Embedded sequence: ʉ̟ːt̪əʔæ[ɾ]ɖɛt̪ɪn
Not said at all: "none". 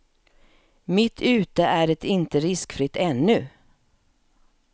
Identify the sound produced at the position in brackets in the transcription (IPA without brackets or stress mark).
none